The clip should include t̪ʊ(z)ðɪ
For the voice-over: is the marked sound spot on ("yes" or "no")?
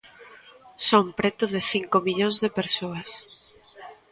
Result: no